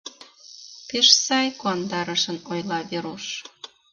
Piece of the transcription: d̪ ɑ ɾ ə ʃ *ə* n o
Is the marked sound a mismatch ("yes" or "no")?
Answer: no